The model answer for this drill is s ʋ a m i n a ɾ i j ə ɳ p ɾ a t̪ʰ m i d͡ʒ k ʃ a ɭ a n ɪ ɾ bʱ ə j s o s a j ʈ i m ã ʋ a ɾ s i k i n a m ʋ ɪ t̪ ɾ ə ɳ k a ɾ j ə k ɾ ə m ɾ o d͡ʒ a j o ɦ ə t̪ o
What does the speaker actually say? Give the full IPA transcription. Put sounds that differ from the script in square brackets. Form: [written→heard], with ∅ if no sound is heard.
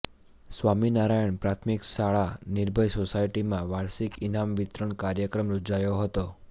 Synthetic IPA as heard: s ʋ a m i n a ɾ [i→a] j ə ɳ p ɾ a t̪ʰ m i [d͡ʒ→∅] k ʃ a ɭ a n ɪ ɾ bʱ ə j s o s a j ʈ i m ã ʋ a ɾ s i k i n a m ʋ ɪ t̪ ɾ ə ɳ k a ɾ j ə k ɾ ə m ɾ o d͡ʒ a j o ɦ ə t̪ o